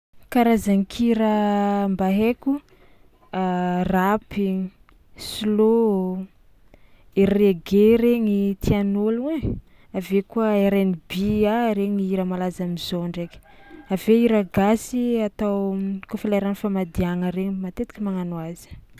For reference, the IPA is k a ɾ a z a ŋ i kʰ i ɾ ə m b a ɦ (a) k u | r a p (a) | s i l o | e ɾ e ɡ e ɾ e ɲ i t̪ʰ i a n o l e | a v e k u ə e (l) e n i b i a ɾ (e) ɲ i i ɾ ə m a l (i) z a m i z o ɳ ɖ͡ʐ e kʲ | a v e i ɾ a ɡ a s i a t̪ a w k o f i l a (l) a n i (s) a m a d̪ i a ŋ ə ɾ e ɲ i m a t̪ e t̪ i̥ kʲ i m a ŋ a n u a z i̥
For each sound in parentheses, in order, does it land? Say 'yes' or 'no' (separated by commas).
no, no, no, yes, no, no, no